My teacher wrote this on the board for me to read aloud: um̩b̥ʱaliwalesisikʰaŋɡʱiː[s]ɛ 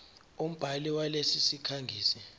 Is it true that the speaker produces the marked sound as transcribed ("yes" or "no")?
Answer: yes